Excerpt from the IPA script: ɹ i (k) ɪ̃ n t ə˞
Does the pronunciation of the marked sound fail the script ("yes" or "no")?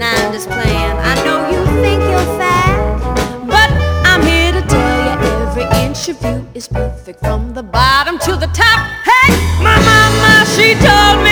yes